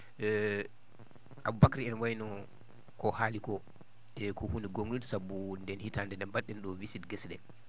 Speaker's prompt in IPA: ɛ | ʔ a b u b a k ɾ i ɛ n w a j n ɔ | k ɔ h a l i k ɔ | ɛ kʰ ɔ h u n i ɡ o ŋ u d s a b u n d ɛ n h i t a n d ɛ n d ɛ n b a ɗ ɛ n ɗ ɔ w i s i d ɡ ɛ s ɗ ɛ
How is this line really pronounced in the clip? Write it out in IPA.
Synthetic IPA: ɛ | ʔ a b u b a k ɾ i ɛ n w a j n ɔ | k ɔ h a l i k ɔ | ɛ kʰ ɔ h u n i ɡ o ŋ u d s a b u n d ɛ n h i t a n d ɛ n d ɛ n b a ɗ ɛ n ɗ ɔ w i s i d ɡ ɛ s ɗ ɛ